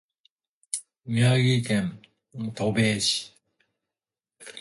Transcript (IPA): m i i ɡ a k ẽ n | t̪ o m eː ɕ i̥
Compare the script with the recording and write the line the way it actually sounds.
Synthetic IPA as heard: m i a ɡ i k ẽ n | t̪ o b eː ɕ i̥